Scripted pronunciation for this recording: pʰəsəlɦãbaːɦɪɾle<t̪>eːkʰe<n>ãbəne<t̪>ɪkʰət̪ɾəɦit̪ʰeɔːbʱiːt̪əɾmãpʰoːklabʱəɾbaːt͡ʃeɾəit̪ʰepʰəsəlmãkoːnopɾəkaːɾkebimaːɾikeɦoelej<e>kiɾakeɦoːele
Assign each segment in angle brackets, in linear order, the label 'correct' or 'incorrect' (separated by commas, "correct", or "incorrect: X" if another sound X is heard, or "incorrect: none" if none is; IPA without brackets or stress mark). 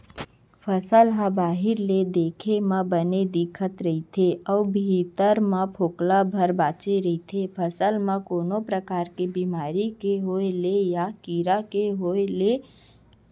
incorrect: d̪, incorrect: m, incorrect: d̪, incorrect: a